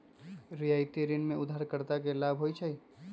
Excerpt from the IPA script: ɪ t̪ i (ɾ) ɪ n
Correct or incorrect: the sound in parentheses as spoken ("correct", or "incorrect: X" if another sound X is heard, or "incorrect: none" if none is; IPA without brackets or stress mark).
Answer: correct